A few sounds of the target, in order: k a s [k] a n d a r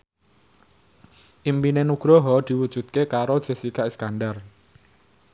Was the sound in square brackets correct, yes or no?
yes